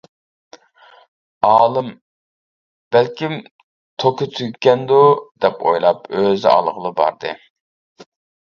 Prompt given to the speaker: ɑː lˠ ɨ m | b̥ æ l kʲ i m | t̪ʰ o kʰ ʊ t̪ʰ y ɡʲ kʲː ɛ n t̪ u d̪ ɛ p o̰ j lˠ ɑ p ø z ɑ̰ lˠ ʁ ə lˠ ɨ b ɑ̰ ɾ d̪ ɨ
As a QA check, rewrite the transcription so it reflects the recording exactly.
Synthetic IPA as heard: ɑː lˠ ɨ m | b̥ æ l kʲ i m | t̪ʰ o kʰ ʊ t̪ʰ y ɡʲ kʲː ɛ n d̪ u d̪ ɛ p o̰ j lˠ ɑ p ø z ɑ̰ lˠ ʁ ə lˠ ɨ b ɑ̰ ɾ d̪ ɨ

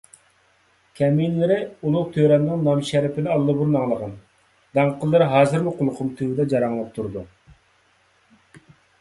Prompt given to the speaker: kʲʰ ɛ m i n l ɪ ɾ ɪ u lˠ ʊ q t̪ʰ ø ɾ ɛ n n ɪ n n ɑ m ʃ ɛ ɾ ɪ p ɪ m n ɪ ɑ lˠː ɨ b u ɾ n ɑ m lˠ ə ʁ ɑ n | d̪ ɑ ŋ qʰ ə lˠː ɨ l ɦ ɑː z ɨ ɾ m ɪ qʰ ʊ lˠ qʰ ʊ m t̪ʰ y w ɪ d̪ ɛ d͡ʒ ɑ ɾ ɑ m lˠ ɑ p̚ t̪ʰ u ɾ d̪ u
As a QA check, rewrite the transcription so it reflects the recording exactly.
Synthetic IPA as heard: kʲʰ ɛ m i n l ɪ ɾ ɪ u lˠ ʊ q t̪ʰ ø ɾ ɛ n n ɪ ŋ n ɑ m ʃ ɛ ɾ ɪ p ɪ n ɪ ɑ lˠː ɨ b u ɾ n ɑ ŋ lˠ ə ʁ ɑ n | d̪ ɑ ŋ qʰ ə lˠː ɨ ɾ ɦ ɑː z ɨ ɾ m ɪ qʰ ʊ lˠ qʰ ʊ m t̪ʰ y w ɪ d̪ ɛ d͡ʒ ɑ ɾ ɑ ŋ lˠ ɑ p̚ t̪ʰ u ɾ d̪ u

